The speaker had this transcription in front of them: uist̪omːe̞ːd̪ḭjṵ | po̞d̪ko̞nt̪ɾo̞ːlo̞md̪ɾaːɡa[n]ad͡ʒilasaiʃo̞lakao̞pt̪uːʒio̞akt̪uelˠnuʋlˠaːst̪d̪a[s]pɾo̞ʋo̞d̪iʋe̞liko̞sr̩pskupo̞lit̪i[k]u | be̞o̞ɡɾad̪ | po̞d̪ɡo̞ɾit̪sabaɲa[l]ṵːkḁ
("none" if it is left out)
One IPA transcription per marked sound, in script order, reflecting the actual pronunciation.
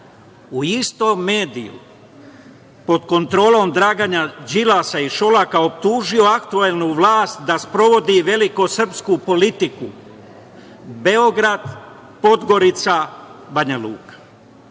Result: ɲ, s, k, l

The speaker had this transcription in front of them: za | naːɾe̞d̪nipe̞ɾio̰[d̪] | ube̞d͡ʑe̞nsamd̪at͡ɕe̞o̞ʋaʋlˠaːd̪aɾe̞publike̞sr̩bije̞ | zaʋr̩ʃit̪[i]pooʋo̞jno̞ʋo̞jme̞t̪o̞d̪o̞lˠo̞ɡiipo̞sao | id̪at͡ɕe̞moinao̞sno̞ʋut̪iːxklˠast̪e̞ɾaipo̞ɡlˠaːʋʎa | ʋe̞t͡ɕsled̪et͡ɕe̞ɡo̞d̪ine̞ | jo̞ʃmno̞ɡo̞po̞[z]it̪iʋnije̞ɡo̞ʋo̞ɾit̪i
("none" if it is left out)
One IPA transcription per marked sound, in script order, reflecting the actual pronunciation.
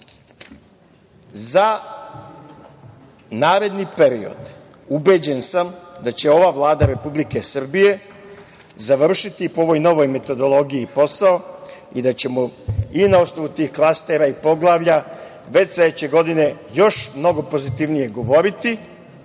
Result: d̪, i, z

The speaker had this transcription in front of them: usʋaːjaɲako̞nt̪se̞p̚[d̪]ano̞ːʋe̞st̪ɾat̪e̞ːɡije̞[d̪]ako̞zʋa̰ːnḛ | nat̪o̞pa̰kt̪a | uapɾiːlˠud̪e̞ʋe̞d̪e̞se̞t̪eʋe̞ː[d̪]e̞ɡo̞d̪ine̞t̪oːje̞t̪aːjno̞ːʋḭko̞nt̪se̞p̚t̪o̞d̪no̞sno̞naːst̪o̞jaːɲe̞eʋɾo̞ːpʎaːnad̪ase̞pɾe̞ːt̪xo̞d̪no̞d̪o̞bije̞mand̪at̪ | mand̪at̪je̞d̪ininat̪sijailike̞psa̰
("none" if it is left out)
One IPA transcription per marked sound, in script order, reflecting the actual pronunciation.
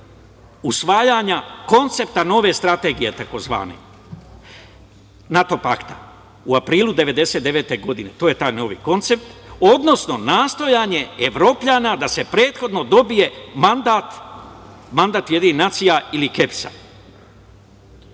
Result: t̪, t̪, t̪

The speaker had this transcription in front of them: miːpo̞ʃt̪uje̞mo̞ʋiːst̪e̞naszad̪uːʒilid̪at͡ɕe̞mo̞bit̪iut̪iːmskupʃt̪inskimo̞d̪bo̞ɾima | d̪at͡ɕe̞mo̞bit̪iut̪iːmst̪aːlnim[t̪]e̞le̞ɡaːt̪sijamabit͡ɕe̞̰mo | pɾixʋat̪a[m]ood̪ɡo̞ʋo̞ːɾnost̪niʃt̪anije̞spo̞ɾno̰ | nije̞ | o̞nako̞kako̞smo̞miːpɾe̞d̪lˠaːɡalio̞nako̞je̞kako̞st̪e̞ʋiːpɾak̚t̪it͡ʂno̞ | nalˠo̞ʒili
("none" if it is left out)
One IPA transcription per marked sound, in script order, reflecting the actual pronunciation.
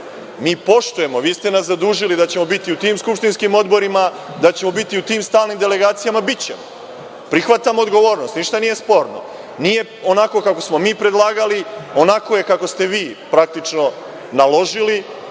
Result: d̪, m

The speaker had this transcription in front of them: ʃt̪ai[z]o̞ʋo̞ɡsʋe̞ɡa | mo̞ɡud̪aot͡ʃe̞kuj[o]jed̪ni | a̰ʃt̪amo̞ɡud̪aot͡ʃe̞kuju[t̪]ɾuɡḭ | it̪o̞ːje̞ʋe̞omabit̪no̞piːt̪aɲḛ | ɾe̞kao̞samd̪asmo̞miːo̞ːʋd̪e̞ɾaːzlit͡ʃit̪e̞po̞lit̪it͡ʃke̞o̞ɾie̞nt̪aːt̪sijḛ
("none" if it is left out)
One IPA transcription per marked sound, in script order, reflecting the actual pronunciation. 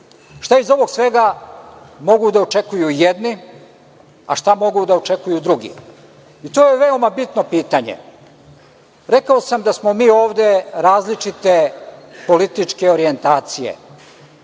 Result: z, u, d̪

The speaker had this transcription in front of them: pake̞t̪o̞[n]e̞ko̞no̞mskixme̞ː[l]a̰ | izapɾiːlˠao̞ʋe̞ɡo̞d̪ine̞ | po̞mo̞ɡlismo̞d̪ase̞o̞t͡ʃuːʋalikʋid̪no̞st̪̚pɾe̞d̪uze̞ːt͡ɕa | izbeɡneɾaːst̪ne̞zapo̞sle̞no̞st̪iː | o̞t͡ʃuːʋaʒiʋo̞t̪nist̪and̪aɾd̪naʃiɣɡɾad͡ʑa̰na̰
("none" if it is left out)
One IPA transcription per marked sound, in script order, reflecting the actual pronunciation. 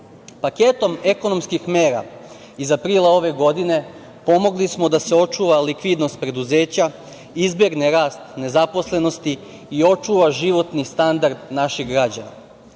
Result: m, ɾ

